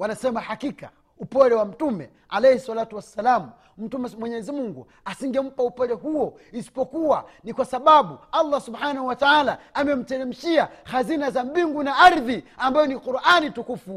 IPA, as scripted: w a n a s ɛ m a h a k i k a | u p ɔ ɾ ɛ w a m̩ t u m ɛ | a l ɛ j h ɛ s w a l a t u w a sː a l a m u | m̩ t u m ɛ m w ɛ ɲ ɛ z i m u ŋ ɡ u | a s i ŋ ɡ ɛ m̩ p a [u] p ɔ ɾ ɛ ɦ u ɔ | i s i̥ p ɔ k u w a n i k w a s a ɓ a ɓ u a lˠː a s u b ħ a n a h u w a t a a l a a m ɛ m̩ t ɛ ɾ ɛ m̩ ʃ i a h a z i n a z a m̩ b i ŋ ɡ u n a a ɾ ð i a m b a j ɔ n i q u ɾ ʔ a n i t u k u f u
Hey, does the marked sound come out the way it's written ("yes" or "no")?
yes